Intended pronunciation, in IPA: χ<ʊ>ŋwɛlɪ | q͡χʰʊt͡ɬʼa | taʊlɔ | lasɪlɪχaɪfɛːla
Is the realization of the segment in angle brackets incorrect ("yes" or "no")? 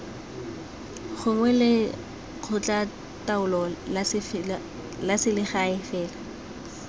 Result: no